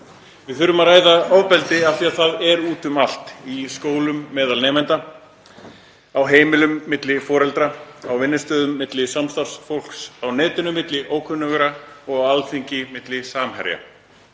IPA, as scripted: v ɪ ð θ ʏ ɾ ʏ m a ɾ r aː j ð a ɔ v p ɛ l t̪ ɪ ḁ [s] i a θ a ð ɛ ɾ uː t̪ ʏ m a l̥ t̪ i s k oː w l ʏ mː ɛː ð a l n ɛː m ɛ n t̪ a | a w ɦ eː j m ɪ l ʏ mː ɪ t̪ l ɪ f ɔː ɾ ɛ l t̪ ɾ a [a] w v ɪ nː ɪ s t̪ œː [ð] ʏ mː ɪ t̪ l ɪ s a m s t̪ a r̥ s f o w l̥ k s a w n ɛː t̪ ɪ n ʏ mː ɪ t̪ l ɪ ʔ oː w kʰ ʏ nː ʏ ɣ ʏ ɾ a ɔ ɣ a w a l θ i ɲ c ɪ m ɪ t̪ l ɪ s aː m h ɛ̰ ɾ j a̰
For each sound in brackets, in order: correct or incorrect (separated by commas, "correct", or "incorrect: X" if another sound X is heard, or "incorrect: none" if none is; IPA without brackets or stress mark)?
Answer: incorrect: θ, correct, correct